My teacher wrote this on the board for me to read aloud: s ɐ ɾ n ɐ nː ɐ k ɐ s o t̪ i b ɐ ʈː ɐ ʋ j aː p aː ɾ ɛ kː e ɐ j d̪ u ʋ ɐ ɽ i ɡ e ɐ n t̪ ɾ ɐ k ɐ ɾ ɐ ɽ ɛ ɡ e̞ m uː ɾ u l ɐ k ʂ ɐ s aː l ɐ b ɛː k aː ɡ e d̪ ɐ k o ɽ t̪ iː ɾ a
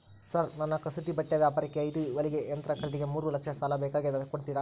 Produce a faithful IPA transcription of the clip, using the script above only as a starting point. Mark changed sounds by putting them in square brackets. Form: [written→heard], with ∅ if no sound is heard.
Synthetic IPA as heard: s ɐ ɾ n ɐ nː ɐ k ɐ s [o→u] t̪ i b ɐ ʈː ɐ ʋ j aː p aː ɾ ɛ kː e ɐ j d̪ u ʋ ɐ [ɽ→l] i ɡ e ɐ n t̪ ɾ ɐ k ɐ ɾ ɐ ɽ [ɛ→i] ɡ e̞ m uː ɾ u l ɐ k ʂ ɐ s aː l ɐ b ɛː k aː ɡ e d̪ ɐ k o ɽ t̪ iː ɾ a